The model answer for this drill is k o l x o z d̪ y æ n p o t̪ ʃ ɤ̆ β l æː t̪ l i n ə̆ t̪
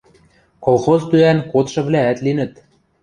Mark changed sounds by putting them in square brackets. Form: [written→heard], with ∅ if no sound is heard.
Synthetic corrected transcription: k o l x o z [d̪→t̪] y æ n [p→k] o t̪ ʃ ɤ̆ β l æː t̪ l i n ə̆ t̪